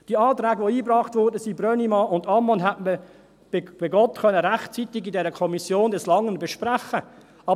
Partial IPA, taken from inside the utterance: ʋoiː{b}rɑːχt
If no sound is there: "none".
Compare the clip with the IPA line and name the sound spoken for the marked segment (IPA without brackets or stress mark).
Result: b